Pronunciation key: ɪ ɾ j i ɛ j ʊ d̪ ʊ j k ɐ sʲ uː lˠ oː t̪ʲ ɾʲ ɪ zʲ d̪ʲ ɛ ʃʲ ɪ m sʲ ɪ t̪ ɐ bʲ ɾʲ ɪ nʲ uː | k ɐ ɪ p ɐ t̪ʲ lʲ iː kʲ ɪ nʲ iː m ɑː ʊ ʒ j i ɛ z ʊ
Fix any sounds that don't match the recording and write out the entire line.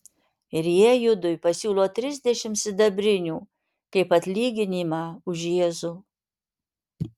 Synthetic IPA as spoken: ɪ ɾ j i ɛ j ʊ d̪ ʊ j p ɐ sʲ uː lˠ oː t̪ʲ ɾʲ ɪ zʲ d̪ʲ ɛ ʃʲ ɪ m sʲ ɪ d̪ ɐ bʲ ɾʲ ɪ nʲ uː | k ɐ ɪ p ɐ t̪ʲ lʲ iː ɡʲ ɪ nʲ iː m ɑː ʊ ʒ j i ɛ z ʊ